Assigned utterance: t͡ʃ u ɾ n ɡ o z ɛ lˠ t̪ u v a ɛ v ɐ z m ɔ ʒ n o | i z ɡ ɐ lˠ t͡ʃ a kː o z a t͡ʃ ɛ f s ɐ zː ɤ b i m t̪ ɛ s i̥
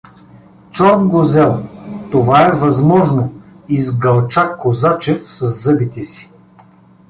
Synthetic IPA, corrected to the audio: t͡ʃ ɔ ɾ n ɡ o z ɛ lˠ t̪ o v a ɛ v ɐ z m ɔ ʒ n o | i z ɡ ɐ lˠ t͡ʃ a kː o z a t͡ʃ ɛ f s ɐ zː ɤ b i t̪ ɛ s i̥